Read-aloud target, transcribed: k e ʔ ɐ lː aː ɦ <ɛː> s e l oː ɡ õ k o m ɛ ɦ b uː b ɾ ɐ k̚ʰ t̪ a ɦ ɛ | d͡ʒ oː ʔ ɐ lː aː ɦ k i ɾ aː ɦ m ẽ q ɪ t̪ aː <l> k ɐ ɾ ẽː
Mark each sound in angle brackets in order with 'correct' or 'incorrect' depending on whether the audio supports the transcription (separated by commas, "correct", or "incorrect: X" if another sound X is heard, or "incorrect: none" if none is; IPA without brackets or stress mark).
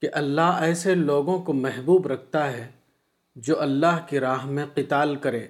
correct, correct